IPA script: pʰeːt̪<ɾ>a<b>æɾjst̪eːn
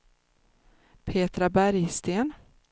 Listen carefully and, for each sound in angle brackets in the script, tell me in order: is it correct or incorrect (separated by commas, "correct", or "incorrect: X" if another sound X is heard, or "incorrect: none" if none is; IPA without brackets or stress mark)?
correct, correct